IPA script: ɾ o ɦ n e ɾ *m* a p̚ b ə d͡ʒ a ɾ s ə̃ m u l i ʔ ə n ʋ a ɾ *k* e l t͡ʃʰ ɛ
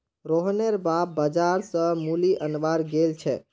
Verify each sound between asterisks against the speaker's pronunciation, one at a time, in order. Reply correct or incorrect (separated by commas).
incorrect, incorrect